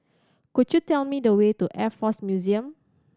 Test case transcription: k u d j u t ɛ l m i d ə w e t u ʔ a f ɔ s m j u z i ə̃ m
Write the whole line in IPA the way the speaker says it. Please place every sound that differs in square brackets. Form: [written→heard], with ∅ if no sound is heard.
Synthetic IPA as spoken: k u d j u t ɛ l m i d ə w e t u ʔ [a→ɛ] f ɔ s m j u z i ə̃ m